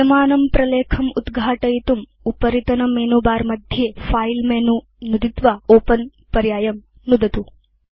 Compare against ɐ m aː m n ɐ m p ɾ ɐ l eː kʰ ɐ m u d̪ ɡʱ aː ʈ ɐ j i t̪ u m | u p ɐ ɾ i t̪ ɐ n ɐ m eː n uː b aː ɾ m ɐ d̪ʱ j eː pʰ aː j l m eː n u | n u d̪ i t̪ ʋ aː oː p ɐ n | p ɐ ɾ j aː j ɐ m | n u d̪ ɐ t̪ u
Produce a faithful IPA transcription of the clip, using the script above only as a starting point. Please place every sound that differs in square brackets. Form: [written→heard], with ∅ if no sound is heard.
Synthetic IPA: ɐ m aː [m→∅] n ɐ m p ɾ ɐ l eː kʰ ɐ m u d̪ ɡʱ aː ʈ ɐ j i t̪ u m | u p ɐ ɾ i t̪ ɐ n ɐ m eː n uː b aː ɾ m ɐ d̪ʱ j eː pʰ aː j l m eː n u | n u d̪ i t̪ ʋ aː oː p ɐ n | p ɐ ɾ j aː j ɐ m | n u d̪ ɐ t̪ u